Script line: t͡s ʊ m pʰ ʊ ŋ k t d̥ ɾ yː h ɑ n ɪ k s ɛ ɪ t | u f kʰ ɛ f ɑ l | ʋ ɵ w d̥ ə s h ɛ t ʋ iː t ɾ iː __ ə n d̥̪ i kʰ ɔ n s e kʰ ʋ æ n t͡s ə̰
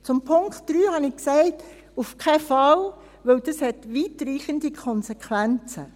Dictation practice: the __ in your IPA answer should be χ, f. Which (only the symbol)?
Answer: χ